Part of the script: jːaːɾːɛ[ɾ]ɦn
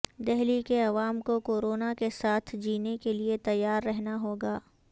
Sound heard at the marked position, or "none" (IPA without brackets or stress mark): none